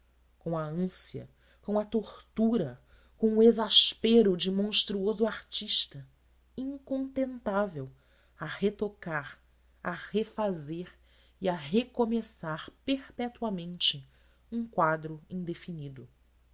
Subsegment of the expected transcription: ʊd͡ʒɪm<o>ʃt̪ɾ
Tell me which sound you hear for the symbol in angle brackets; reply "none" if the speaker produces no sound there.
õ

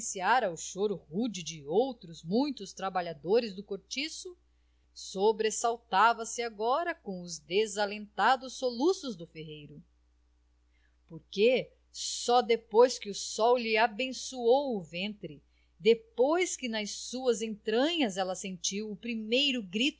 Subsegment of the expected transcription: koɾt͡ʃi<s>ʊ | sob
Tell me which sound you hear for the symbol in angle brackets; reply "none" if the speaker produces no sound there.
s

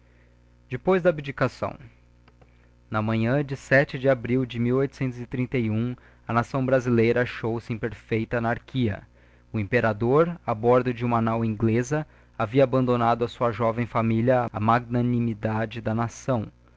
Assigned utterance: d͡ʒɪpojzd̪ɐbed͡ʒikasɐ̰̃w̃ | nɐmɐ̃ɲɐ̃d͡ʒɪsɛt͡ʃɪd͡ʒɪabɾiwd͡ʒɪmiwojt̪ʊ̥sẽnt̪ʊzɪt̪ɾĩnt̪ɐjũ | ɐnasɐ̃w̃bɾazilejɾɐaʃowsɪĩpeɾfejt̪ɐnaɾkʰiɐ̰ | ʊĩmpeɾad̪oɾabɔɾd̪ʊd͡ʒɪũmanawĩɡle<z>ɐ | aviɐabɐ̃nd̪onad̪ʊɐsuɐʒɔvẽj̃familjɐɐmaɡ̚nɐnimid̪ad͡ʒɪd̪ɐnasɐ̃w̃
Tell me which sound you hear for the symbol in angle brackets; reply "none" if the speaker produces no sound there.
z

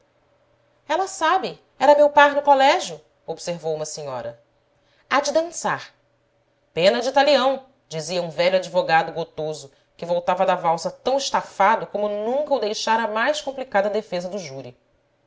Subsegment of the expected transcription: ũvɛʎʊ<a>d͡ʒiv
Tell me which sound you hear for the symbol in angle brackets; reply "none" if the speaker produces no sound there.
a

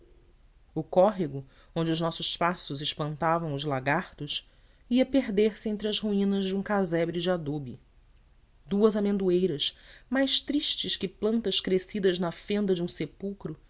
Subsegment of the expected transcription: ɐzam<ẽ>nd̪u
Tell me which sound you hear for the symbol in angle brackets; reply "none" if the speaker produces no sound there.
ẽ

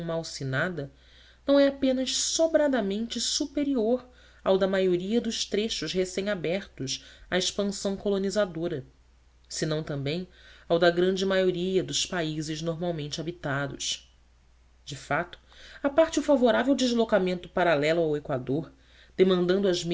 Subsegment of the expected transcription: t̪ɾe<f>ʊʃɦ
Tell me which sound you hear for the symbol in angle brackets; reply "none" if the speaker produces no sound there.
ʃ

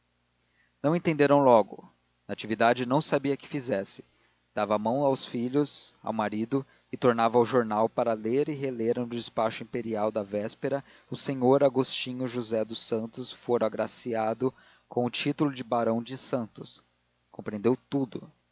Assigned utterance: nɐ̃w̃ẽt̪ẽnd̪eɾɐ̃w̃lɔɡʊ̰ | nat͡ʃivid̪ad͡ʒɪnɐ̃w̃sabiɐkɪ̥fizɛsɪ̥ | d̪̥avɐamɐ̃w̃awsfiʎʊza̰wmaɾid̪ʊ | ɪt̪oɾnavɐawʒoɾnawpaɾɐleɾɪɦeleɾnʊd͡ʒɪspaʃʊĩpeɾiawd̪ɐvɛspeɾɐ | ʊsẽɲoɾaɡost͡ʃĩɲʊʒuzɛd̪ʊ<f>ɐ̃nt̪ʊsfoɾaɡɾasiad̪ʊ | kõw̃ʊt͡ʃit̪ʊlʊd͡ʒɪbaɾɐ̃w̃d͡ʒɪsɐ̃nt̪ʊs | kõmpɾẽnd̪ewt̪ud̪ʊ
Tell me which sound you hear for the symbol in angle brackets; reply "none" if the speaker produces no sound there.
s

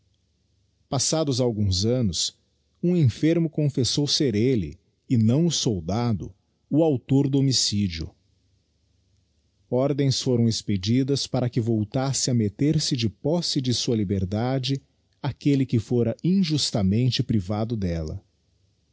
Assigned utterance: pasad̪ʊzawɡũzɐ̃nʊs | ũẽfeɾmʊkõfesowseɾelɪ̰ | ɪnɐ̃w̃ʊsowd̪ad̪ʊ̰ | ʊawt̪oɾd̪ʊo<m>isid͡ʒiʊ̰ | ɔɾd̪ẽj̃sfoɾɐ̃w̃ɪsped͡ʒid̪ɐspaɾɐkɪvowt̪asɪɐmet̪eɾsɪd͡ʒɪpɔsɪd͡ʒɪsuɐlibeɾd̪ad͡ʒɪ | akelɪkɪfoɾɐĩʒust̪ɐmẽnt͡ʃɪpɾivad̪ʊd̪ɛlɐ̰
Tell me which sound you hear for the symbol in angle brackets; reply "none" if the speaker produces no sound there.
m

